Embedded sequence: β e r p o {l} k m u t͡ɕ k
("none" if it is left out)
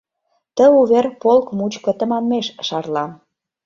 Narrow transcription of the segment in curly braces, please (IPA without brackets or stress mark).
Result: l